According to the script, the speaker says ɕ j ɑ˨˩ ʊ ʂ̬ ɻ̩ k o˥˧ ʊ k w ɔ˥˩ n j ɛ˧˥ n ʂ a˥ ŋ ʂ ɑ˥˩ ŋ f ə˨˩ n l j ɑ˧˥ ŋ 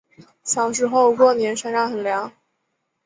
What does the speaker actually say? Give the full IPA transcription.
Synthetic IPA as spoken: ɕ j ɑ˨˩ ʊ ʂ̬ ɻ̩ x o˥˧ ʊ k w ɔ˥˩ n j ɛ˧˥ n ʂ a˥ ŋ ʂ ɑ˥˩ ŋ x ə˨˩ n l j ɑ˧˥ ŋ